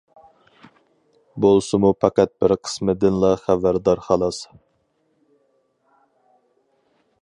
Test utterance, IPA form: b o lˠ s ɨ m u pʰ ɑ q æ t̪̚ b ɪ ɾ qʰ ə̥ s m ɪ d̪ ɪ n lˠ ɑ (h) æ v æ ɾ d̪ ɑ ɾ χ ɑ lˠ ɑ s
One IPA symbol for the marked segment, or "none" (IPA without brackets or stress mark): χ